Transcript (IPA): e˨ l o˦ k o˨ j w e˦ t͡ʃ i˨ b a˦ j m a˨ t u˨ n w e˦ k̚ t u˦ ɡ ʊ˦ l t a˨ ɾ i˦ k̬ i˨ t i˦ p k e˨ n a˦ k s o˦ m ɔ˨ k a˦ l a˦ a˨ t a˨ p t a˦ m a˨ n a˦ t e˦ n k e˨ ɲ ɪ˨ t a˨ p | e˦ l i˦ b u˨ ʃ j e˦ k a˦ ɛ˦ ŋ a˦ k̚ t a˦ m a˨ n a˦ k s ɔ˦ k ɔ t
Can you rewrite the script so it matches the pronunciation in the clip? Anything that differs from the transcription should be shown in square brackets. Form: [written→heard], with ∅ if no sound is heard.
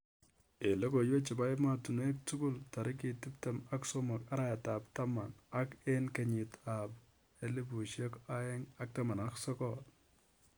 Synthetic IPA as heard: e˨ l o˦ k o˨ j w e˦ t͡ʃ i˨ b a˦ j m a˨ t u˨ n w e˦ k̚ t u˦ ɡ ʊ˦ l t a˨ ɾ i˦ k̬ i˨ t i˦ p [k→t] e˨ [n→m] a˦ k s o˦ m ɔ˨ k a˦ [l→ɾ] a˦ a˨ t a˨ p t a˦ m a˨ n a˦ [t→k] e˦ n k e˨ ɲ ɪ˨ t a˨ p | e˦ l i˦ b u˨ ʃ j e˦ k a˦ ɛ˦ ŋ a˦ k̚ t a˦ m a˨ n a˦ k s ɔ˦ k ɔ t